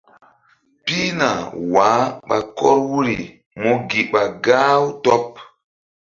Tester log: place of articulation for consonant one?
labial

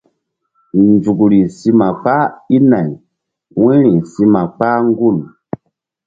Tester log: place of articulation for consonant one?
alveolar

